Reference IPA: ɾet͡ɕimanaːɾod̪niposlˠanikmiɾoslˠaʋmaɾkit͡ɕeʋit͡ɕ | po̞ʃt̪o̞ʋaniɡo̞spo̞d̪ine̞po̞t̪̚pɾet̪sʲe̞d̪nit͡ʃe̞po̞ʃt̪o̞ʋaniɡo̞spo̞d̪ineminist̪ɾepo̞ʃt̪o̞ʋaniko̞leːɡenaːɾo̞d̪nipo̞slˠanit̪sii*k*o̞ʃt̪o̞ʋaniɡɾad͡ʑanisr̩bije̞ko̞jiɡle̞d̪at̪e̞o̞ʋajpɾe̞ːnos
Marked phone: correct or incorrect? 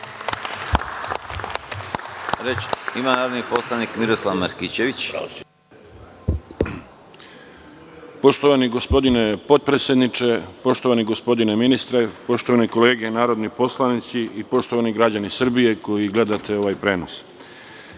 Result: incorrect: p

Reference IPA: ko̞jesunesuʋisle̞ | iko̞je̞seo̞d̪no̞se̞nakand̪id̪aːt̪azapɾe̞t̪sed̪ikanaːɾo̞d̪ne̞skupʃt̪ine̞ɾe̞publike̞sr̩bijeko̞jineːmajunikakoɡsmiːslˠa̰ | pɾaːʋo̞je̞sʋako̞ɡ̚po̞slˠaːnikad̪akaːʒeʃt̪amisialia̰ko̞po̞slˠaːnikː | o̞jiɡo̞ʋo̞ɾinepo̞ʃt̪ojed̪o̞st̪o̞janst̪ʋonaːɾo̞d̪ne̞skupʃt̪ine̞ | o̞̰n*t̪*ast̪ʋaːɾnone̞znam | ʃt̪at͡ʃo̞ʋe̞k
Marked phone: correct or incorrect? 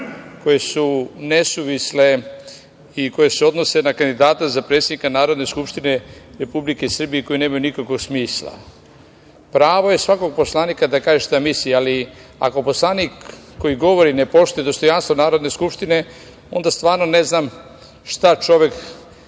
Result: incorrect: d̪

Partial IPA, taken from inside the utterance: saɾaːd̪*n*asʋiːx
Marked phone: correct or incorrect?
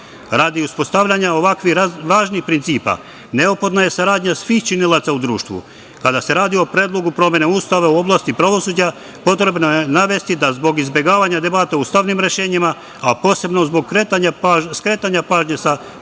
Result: incorrect: ɲ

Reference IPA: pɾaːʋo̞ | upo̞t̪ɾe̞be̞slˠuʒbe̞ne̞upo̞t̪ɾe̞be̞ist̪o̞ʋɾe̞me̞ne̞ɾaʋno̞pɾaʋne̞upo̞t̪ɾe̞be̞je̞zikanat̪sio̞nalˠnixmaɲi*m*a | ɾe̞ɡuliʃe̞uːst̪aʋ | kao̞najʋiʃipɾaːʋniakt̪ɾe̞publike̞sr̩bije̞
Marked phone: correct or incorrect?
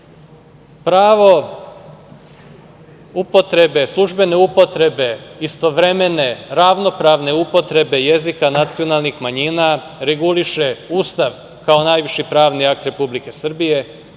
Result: incorrect: n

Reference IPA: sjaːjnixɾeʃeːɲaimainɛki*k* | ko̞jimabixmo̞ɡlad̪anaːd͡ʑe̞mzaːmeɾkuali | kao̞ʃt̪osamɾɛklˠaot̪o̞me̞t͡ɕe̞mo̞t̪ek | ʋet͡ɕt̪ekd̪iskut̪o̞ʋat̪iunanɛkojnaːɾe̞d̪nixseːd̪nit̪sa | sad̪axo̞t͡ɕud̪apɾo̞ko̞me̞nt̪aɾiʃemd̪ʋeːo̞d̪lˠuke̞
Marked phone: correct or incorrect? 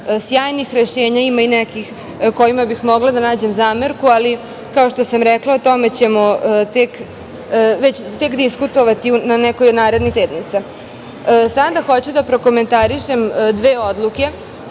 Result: incorrect: x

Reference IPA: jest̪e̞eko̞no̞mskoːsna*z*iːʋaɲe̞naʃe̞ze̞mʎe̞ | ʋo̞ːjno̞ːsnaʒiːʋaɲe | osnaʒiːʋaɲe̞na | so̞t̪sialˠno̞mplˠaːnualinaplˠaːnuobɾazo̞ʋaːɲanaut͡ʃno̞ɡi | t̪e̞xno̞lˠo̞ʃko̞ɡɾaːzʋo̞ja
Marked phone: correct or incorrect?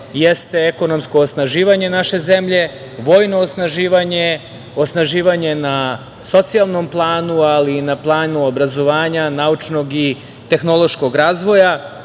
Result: incorrect: ʒ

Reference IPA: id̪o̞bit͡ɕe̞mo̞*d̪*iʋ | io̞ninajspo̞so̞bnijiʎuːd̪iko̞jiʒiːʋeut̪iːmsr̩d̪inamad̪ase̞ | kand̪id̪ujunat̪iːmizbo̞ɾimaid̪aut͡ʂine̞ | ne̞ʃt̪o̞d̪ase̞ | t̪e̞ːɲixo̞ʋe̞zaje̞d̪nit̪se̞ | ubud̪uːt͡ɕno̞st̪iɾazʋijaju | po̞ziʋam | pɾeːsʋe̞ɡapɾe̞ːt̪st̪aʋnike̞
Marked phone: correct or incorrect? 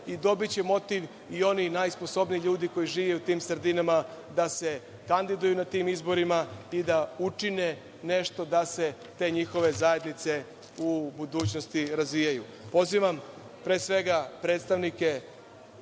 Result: incorrect: t̪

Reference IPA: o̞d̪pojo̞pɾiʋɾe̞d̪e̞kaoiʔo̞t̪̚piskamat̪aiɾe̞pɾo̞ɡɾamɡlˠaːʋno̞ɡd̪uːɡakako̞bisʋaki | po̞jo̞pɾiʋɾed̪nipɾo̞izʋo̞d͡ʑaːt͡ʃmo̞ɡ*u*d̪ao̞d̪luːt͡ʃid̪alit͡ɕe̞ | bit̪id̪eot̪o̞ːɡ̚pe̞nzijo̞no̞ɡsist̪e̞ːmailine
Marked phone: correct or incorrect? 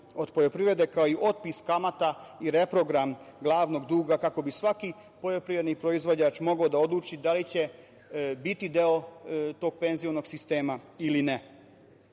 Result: incorrect: o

